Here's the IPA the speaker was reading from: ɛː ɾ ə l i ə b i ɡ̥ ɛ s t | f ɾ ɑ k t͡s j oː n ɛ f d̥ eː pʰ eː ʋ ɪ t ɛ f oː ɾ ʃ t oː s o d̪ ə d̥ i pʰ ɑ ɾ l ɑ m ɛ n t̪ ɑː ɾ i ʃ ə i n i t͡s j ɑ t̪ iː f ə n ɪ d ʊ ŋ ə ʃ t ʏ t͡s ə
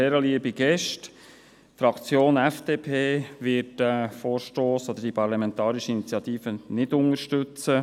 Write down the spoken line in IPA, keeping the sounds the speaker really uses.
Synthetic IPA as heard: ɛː ɾ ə l i ə b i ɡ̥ ɛ ʃ t | f ɾ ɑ k t͡s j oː n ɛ f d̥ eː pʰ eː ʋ ɪ t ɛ f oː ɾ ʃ t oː s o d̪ ə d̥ i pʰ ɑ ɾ l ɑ m ɛ n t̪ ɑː ɾ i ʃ ə i n i t͡s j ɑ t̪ iː f ə n ɪ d ʊ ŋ ə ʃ t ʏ t͡s ə